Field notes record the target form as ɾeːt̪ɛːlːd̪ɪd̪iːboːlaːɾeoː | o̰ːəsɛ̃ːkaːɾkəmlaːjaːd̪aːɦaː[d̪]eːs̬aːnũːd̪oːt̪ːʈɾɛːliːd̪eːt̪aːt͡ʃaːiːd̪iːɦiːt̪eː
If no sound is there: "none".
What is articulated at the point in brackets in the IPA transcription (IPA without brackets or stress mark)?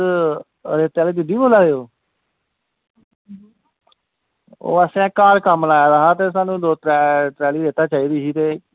t̪